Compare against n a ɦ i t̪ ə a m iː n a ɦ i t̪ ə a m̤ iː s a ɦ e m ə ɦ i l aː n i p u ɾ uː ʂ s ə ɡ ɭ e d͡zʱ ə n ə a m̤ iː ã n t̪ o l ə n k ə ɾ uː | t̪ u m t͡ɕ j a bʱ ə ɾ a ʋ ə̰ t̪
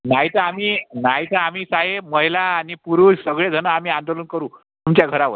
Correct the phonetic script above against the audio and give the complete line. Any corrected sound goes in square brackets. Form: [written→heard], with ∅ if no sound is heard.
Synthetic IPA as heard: n a ɦ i t̪ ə a m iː n a ɦ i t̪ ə a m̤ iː s a ɦ e m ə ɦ i l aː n i p u ɾ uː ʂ s ə ɡ ɭ e d͡zʱ ə n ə a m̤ iː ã n [t̪→d̪] o l ə n k ə ɾ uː | t̪ u m t͡ɕ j a [bʱ→ɡʱ] ə ɾ a ʋ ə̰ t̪